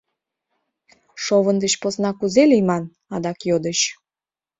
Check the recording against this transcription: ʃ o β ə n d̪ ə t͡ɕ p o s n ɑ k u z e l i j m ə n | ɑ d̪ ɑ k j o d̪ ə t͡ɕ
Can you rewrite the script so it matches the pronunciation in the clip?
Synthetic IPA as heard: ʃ o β ə n d̪ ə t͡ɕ p o s n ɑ k u z e l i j m ɑ n | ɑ d̪ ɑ k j o d̪ ə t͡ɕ